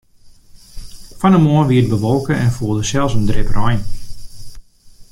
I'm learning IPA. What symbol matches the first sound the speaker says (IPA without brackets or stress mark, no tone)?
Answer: f